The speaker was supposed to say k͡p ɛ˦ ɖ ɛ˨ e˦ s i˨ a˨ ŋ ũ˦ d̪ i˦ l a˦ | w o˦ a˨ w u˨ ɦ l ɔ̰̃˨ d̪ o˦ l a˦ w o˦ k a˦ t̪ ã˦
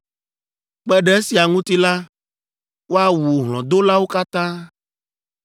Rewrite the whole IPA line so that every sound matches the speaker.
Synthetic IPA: k͡p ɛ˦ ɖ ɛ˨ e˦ s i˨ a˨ ŋ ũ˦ t̪ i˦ l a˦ | w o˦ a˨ w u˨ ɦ l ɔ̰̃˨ d̪ o˦ l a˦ w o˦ k a˦ t̪ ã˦

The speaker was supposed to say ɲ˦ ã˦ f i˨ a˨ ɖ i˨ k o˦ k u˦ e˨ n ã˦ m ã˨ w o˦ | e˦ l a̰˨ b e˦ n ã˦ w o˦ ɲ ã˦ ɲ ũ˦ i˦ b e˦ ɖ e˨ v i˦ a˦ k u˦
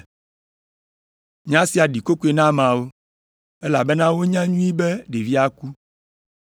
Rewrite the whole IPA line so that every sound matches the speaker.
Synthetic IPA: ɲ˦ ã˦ s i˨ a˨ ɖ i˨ k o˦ k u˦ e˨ n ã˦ m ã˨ w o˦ | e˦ l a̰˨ b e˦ n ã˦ w o˦ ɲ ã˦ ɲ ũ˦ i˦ b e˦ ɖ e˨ v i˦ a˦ k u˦

